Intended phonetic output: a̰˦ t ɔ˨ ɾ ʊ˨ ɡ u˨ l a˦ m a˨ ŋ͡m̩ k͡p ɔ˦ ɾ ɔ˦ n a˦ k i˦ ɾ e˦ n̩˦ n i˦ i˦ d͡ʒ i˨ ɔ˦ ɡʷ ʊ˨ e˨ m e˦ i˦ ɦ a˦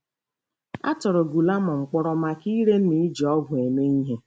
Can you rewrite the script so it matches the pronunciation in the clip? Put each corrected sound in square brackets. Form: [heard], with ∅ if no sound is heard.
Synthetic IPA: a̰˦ t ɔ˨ ɾ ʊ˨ ɡ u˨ l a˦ m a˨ ŋ͡m̩ k͡p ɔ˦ ɾ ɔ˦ [m] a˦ k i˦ ɾ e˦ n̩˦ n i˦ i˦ d͡ʒ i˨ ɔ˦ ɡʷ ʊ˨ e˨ m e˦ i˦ ɦ [e˦]